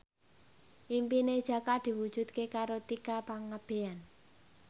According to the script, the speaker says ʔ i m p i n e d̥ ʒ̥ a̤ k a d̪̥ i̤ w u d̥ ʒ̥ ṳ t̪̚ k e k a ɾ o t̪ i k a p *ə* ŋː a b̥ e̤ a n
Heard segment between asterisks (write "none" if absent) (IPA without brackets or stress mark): a